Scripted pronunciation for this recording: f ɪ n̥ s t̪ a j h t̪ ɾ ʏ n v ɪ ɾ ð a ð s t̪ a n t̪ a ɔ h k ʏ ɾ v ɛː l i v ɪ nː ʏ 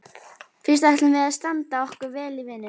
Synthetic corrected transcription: f ɪ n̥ s t̪ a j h t̪ l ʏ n v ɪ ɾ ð a ð s t̪ a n t̪ a ɔ h k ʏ ɾ v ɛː l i v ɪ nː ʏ